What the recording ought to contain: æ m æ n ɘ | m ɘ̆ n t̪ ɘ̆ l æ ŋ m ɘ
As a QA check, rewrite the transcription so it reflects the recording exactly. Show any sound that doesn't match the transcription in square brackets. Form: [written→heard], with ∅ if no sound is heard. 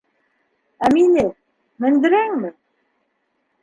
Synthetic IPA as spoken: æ m [æ→i] n ɘ | m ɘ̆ n [t̪→d̪] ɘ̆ [l→ɾ] æ ŋ m ɘ